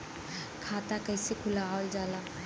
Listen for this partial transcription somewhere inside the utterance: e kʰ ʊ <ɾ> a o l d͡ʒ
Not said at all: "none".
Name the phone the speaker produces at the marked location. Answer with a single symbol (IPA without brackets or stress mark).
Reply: l